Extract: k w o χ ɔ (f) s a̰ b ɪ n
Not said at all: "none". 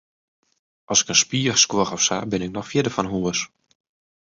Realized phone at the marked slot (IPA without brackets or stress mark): f